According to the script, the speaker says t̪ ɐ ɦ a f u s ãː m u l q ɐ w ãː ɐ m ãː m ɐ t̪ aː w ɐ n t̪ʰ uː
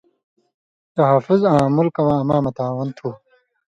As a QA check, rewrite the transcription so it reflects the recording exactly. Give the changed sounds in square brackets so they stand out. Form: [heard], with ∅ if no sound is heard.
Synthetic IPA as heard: t̪ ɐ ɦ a f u [z] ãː m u l [k] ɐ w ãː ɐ m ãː m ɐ t̪ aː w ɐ n t̪ʰ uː